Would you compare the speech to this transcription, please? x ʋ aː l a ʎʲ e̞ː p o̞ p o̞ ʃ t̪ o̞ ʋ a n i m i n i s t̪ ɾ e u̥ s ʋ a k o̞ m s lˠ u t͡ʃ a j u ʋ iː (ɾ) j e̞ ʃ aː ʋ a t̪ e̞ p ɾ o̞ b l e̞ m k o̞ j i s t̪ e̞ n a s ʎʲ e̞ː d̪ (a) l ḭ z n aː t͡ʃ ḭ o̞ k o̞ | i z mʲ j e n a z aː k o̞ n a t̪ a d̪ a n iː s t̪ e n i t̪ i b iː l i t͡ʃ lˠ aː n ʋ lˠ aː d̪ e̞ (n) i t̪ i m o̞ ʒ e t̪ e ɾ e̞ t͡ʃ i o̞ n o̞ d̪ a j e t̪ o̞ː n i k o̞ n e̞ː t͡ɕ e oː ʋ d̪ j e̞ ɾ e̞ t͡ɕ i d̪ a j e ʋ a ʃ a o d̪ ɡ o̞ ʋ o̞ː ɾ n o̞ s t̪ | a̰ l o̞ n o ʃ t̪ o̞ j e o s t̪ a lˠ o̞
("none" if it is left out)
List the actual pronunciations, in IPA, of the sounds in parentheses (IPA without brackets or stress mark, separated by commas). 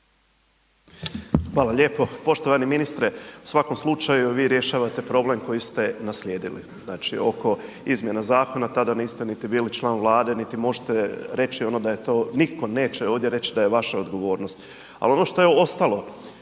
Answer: ɾ, i, n